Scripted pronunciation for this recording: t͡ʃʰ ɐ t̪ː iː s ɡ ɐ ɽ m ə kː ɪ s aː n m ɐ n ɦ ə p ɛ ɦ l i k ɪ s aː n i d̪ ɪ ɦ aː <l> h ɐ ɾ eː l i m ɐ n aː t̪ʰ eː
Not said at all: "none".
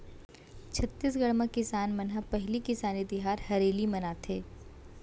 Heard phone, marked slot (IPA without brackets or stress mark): ɾ